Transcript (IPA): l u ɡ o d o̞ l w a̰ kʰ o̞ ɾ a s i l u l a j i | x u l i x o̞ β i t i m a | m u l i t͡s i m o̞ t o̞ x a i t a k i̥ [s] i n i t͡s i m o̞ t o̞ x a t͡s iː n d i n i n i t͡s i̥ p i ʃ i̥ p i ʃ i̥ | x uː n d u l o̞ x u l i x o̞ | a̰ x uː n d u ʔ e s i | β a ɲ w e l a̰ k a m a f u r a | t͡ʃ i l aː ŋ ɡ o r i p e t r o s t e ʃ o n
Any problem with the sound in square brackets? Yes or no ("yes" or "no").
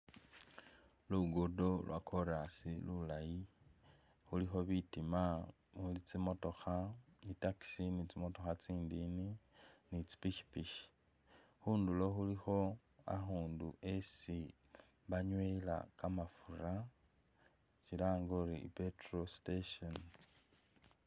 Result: no